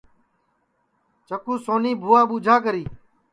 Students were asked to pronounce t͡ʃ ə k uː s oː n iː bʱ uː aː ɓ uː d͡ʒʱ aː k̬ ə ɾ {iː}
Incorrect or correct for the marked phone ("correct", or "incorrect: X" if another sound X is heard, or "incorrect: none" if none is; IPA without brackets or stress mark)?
correct